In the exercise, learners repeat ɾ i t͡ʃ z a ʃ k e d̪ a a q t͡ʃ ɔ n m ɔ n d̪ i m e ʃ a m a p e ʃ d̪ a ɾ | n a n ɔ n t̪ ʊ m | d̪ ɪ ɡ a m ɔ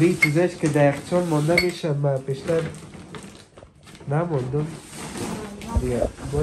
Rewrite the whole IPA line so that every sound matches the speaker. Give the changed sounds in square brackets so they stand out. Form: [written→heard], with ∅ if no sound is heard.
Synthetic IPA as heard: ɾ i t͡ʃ z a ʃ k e d̪ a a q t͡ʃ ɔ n m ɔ n d̪ [i→a] m e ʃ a m a p e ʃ [d̪→t̪] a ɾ | n a [n→m] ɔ n [t̪→d̪] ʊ m | d̪ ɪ ɡ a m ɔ